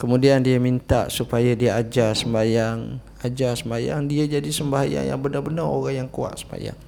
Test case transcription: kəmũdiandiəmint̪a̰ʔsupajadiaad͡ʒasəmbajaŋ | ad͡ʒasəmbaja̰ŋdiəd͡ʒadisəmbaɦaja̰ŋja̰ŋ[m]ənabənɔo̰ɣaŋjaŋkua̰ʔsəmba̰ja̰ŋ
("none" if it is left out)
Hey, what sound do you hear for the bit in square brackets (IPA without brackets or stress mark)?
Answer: b